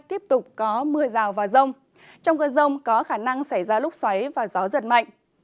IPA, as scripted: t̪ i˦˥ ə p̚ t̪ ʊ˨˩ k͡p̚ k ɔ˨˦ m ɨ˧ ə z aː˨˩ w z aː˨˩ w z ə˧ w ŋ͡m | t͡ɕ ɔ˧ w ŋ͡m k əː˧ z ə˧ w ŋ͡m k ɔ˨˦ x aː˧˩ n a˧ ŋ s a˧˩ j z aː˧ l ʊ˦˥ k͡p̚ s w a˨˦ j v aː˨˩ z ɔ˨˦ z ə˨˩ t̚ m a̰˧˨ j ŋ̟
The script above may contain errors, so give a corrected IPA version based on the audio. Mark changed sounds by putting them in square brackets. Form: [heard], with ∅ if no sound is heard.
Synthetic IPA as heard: t̪ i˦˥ ə p̚ t̪ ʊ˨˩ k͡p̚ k ɔ˨˦ m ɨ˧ ə z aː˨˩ w [v] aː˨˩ w z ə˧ w ŋ͡m | t͡ɕ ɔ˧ w ŋ͡m k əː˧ z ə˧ w ŋ͡m k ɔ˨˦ x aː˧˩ n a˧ ŋ s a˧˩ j z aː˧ l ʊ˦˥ k͡p̚ s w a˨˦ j v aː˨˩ z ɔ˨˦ z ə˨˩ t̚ m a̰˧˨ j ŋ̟